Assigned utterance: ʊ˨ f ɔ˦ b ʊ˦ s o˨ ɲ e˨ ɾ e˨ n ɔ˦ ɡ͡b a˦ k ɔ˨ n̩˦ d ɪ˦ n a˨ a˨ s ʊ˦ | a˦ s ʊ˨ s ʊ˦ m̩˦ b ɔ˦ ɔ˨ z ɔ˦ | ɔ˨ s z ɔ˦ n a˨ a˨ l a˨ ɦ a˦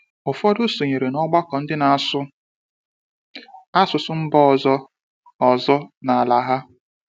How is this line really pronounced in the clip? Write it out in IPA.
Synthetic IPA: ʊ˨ f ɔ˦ d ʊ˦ s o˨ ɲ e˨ ɾ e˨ n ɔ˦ ɡ͡b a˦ k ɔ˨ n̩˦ d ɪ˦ n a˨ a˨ s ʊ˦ | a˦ s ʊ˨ s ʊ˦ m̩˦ b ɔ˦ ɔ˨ z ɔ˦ | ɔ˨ z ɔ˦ n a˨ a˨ l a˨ ɦ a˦